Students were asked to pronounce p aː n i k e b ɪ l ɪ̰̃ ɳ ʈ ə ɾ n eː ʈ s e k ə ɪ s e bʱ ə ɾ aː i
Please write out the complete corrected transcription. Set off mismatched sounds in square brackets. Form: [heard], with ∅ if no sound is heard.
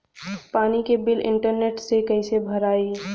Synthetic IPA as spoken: p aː n i k e b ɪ l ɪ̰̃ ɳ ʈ ə ɾ n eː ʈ s e k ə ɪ s e bʱ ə ɾ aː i